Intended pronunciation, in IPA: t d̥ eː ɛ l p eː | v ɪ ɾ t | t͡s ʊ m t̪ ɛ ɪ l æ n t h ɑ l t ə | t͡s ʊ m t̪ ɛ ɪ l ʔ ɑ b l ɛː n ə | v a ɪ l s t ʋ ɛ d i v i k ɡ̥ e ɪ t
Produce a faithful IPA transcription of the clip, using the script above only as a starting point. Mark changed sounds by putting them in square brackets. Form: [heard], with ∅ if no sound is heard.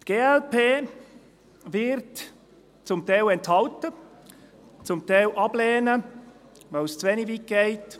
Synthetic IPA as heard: t [ɡ̥] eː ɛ l p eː | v ɪ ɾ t | t͡s ʊ m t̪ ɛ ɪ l [ɛ] n t h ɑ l t ə | t͡s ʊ m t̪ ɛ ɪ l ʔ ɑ b l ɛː n ə | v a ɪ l s [t͡s] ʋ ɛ [n] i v i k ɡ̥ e ɪ t